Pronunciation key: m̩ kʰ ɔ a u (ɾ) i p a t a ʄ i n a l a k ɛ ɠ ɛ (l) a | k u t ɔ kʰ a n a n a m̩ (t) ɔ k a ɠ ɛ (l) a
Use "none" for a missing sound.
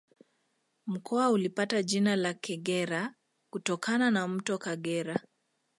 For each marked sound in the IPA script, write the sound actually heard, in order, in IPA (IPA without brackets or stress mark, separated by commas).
l, ɾ, t, ɾ